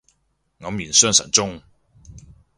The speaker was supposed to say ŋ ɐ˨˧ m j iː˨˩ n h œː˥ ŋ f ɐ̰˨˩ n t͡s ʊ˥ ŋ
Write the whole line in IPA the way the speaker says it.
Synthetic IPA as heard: ŋ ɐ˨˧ m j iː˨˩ n s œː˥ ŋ s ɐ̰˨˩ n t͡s ʊ˥ ŋ